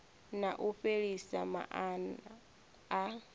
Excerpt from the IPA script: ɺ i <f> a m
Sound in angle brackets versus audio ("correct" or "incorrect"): incorrect